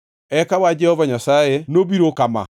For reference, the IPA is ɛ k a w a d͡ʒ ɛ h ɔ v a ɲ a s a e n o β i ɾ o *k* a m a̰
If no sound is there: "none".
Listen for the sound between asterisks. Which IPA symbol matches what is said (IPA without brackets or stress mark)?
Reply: k